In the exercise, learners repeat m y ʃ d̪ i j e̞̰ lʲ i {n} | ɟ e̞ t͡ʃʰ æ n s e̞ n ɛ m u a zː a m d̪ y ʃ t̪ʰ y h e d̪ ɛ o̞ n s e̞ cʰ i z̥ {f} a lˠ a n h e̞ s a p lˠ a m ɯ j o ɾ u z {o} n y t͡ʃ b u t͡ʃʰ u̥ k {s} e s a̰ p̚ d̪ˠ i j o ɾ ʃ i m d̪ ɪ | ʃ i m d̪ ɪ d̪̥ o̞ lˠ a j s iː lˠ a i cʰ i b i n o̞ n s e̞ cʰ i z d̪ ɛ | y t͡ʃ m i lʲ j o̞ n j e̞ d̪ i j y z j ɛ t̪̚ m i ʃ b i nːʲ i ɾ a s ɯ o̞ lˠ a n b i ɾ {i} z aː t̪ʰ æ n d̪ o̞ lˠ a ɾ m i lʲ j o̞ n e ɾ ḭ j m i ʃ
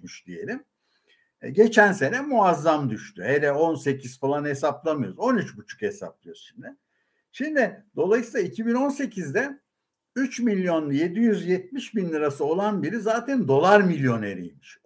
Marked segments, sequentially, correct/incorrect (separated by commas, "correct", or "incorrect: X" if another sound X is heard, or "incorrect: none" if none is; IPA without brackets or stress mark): incorrect: m, correct, correct, incorrect: h, correct